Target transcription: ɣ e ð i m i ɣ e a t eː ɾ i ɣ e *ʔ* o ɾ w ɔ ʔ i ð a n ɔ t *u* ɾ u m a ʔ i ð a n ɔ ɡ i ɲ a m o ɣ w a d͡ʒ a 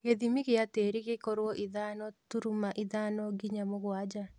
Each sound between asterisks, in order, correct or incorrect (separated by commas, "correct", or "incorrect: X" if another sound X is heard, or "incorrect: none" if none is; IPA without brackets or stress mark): incorrect: k, correct